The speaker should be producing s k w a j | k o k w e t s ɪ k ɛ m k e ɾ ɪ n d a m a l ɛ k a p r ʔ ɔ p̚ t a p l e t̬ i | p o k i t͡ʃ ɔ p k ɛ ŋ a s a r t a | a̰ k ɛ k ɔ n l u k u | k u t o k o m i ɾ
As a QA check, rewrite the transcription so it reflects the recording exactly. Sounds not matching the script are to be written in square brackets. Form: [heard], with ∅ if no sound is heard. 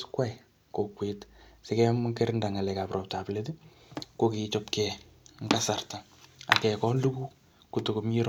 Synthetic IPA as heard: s k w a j | k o k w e t s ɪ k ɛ m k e ɾ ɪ n d a [ŋ] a l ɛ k a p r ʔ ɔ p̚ t a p l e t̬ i | [k] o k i t͡ʃ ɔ p k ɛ ŋ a s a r t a | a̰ k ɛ k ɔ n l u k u | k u t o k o m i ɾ